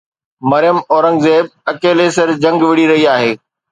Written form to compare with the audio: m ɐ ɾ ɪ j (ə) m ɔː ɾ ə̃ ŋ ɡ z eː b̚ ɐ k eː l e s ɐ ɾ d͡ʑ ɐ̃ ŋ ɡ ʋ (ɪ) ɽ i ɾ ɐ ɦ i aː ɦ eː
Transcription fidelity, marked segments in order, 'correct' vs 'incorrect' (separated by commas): correct, correct